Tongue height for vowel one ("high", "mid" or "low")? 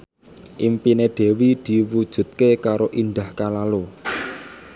high